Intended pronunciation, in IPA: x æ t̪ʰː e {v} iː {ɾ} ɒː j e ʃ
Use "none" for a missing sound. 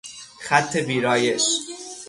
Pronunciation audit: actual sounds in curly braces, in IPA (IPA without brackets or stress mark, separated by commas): b, ɾ